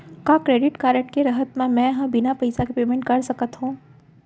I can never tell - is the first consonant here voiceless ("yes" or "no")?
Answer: yes